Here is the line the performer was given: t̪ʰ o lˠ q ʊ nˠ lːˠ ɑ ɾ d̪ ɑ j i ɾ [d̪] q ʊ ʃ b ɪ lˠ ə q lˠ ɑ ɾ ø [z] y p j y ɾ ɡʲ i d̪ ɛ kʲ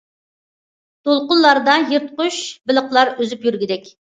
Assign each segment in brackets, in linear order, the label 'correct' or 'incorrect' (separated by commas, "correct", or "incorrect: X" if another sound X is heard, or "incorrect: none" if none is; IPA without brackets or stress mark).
incorrect: t̪, correct